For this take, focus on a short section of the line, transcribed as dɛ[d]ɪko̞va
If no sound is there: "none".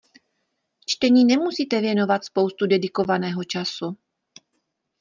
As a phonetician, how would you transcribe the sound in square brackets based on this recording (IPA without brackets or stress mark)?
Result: d